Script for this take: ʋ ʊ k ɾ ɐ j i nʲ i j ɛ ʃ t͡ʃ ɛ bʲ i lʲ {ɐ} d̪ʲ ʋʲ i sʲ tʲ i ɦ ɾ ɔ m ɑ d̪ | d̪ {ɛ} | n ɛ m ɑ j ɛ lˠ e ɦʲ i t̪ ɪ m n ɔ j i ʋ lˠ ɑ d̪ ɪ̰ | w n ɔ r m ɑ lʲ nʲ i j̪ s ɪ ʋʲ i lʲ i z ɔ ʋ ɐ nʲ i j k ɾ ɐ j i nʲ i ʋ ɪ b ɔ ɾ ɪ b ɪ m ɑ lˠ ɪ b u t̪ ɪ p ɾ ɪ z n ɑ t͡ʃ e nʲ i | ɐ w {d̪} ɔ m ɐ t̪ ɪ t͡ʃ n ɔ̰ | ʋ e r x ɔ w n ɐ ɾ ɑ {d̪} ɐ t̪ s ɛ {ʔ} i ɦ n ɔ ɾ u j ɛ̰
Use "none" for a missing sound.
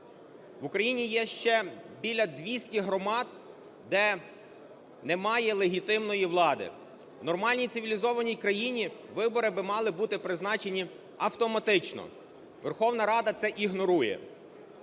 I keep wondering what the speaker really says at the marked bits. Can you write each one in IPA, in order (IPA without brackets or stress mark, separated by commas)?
ɐ, ɛ, t̪, d̪, ʔ